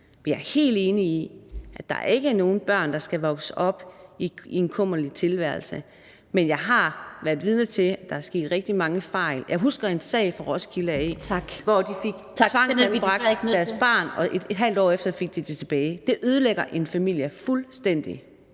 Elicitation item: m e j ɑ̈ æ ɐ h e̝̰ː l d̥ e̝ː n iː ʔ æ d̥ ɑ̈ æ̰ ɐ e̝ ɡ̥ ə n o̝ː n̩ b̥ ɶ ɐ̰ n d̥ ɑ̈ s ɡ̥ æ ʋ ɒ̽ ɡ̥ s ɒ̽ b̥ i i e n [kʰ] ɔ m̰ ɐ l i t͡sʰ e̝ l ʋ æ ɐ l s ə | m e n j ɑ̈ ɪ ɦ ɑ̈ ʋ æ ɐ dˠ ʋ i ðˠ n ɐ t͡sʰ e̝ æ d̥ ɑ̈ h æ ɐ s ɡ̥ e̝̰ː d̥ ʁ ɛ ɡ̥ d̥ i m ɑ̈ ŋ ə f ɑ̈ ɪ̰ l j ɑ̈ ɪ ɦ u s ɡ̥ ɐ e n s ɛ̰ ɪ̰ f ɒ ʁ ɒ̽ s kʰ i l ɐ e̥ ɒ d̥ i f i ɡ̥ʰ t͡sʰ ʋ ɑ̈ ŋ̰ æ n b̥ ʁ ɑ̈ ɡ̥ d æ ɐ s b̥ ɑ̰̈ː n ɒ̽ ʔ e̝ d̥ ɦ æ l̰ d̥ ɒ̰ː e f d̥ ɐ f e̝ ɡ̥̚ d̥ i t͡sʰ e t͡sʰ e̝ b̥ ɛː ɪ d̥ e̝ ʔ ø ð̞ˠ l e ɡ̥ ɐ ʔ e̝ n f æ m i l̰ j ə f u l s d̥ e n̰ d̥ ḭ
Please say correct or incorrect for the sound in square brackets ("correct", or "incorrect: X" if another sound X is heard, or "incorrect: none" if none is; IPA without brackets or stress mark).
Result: correct